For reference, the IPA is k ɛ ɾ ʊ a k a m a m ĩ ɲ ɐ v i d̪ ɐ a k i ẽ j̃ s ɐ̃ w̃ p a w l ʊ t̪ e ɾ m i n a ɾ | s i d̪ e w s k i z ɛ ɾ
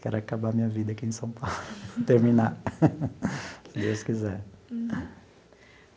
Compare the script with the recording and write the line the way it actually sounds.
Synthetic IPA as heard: k ɛ ɾ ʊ a k a b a m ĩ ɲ ɐ v i d̪ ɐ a k i ẽ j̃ s ɐ̃ w̃ p a w l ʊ t̪ e ɾ m i n a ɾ | s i d̪ e w s k i z ɛ ɾ